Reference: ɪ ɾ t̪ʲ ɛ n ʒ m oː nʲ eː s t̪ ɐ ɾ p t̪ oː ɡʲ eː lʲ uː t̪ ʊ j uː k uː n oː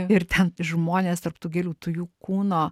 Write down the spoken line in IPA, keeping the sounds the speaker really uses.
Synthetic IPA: ɪ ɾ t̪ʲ ɛ n ʒ m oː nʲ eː s t̪ ɐ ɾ p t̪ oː ɡʲ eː lʲ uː t̪ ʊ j uː k uː n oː